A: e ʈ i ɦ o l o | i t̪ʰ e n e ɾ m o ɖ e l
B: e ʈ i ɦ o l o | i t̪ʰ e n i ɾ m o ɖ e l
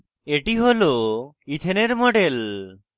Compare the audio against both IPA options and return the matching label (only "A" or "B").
A